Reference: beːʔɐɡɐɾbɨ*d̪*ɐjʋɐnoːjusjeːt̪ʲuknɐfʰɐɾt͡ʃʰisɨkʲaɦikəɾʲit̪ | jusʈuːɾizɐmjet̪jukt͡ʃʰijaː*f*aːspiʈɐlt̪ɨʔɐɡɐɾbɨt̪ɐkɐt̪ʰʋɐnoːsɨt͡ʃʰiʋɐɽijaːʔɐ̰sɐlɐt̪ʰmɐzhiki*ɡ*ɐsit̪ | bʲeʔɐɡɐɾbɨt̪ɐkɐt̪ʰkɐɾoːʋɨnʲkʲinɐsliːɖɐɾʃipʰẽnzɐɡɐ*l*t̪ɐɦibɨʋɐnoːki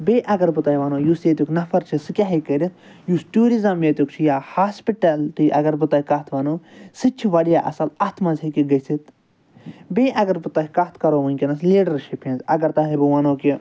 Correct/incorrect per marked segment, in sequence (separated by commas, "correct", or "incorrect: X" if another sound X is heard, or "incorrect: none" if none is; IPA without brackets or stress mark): incorrect: t̪, incorrect: h, correct, incorrect: ɾ